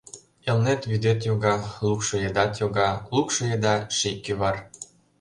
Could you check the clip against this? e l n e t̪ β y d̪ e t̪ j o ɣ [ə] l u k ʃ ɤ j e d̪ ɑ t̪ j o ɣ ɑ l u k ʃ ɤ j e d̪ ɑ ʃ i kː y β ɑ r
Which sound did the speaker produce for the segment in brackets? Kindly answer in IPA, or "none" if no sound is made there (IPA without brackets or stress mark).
ɑ